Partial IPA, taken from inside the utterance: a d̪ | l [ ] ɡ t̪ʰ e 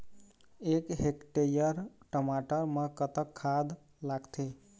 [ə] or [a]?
a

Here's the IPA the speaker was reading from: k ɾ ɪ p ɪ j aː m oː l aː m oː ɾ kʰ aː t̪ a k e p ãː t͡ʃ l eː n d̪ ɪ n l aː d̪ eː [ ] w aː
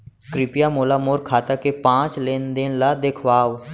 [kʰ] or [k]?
kʰ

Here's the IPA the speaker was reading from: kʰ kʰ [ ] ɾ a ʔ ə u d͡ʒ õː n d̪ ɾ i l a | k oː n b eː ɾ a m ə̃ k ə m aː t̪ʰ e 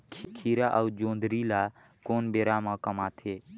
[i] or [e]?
i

